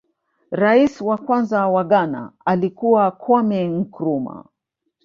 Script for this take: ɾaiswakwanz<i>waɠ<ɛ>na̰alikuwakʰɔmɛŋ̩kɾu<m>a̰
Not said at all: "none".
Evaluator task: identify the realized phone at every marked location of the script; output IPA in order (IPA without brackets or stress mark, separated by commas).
a, a, m